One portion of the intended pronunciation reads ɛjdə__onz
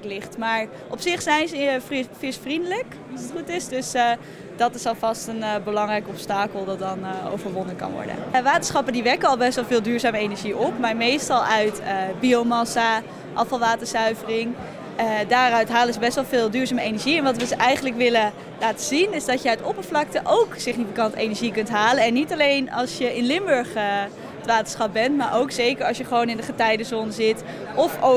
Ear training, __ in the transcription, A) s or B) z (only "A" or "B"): B